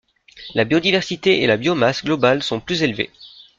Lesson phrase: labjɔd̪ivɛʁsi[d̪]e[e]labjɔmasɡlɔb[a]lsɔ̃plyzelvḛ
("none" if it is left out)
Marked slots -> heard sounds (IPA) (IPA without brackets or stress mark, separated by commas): t̪, e, a